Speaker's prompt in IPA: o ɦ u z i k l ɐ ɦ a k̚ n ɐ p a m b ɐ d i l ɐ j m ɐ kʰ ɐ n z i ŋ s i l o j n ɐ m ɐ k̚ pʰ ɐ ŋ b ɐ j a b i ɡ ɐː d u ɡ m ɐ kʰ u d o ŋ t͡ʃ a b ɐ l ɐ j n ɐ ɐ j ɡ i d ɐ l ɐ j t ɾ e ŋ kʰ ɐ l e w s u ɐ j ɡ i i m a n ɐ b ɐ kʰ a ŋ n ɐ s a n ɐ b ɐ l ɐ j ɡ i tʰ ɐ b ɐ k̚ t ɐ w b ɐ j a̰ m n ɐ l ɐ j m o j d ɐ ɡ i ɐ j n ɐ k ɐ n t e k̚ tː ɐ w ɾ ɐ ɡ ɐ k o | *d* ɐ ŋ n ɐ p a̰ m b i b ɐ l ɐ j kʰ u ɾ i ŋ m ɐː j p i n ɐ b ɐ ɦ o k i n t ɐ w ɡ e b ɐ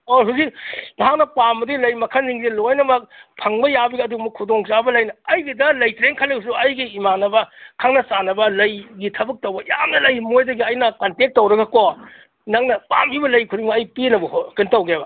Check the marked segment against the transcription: incorrect: n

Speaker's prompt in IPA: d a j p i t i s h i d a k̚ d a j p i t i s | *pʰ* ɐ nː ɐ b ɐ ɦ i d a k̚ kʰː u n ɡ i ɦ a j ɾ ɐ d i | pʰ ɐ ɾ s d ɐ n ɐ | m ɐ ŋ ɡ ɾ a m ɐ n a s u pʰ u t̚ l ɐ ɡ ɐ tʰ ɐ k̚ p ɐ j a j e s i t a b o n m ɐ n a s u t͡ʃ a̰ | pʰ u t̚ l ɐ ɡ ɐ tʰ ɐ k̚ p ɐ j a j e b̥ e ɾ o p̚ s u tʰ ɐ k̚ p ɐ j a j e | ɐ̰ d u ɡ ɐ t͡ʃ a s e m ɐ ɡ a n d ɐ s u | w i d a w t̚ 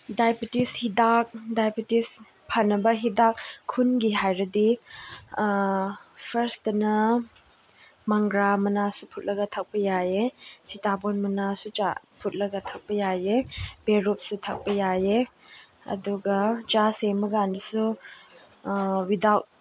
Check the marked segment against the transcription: correct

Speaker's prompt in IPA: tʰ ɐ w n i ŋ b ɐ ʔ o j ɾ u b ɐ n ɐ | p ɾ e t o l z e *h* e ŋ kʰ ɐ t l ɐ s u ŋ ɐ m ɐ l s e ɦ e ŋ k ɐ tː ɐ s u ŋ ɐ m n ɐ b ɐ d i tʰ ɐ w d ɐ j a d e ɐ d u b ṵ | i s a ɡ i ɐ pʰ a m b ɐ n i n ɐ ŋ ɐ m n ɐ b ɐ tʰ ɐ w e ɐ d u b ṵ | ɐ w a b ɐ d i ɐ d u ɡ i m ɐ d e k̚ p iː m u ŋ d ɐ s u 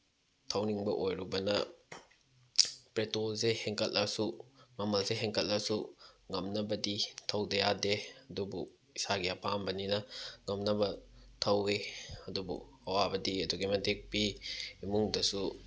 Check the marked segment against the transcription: correct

